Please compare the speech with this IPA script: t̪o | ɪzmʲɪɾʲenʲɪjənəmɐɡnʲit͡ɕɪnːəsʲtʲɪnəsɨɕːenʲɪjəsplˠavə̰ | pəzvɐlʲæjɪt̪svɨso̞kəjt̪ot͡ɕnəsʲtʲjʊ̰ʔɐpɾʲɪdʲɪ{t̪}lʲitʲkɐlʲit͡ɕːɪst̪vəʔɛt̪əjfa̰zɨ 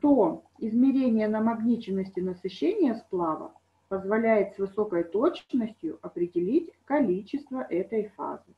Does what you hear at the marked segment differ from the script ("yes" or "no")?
yes